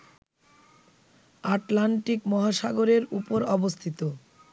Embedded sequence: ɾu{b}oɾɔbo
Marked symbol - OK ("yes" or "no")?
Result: no